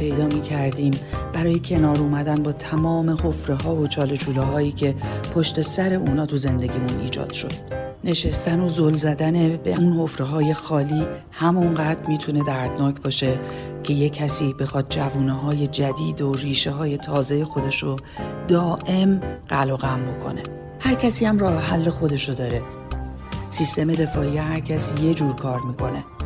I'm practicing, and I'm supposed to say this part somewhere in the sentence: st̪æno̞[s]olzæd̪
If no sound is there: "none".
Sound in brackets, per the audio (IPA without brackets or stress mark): z